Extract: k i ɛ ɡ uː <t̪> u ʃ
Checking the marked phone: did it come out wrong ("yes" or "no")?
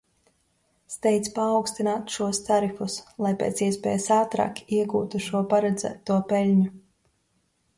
no